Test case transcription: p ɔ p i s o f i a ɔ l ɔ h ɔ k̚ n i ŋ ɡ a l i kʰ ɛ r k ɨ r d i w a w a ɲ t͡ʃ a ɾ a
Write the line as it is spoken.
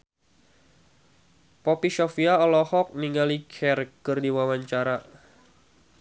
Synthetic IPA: p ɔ p i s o f i a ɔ l ɔ h ɔ k̚ n i ŋ ɡ a l i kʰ ɛ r k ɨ r d i w a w a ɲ t͡ʃ a ɾ a

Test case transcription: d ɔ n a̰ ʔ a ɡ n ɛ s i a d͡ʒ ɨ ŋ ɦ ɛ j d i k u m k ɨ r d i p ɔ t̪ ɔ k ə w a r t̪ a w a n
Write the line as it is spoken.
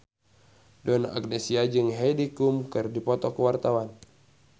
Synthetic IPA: d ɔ n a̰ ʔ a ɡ n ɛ s i a d͡ʒ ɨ ŋ ɦ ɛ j d i k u m k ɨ r d i p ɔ t̪ ɔ k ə w a r t̪ a w a n

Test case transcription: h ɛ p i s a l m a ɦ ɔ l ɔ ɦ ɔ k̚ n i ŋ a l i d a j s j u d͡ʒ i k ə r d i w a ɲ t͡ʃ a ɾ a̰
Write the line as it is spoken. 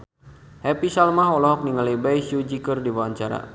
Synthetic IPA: h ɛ p i s a l m a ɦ ɔ l ɔ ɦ ɔ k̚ n i ŋ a l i b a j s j u d͡ʒ i k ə r d i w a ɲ t͡ʃ a ɾ a̰

